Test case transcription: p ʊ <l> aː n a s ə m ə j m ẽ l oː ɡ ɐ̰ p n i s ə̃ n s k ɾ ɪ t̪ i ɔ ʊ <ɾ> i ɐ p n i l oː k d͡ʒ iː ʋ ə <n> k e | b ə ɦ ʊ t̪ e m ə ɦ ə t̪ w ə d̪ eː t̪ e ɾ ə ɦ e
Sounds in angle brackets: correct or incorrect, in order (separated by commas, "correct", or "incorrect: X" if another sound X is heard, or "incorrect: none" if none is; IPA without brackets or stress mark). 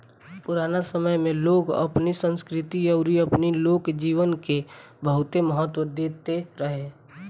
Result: incorrect: ɾ, correct, correct